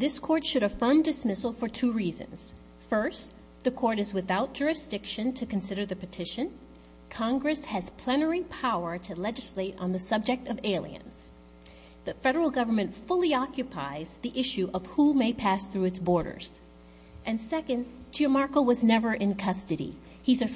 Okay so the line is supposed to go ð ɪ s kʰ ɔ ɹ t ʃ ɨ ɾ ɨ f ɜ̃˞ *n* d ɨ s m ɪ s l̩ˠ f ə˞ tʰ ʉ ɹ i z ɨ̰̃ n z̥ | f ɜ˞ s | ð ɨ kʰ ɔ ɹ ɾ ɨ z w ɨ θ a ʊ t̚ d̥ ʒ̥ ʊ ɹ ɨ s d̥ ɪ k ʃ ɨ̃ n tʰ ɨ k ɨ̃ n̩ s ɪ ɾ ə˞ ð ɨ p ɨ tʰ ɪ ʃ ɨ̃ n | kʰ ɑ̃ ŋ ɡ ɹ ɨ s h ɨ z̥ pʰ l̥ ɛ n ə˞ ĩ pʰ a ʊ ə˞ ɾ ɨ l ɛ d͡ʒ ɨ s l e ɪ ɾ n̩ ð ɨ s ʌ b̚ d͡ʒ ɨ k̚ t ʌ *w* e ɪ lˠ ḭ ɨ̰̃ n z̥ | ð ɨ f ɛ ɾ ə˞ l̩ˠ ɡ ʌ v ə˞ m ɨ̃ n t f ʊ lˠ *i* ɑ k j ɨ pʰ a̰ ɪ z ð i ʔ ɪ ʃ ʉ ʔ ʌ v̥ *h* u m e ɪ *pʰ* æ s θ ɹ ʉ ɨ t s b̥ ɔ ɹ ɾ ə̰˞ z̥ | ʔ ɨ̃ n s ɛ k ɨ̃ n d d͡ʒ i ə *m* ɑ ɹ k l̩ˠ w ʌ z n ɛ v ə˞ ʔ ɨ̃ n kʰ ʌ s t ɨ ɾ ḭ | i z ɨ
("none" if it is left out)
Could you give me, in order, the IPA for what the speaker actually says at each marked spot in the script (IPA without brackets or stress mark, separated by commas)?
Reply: m, v, i, h, pʰ, m